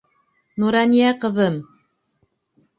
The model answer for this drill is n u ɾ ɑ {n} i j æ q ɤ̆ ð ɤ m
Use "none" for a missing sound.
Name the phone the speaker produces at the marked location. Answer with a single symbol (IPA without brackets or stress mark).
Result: n